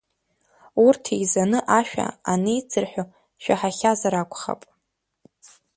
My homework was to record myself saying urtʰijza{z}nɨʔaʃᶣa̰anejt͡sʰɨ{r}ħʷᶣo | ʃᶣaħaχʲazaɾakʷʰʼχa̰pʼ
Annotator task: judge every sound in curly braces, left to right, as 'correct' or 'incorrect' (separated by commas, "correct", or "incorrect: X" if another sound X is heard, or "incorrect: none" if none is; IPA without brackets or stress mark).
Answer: incorrect: none, correct